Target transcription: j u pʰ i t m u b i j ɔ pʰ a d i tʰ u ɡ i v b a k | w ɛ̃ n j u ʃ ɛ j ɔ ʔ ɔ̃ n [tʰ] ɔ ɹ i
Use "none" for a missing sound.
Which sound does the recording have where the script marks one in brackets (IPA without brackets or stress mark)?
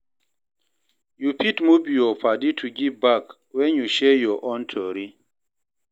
tʰ